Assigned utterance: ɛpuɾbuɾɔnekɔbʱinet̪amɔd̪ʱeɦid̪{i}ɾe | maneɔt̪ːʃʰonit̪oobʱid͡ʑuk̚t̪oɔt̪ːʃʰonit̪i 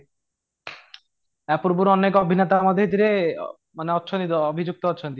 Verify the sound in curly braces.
correct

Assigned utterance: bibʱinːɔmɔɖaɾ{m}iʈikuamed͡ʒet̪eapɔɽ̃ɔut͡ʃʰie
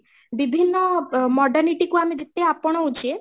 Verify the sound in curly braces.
incorrect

